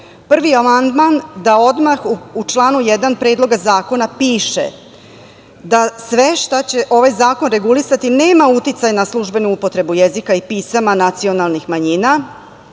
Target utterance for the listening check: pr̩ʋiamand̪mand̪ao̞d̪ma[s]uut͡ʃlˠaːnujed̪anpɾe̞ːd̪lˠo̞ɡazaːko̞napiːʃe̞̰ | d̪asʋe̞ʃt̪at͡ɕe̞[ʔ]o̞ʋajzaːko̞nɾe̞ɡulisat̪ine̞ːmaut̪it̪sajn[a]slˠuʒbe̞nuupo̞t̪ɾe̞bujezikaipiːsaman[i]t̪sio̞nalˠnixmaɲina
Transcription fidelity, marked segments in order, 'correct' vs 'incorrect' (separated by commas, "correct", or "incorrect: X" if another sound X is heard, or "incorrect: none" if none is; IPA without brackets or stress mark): incorrect: x, correct, correct, incorrect: a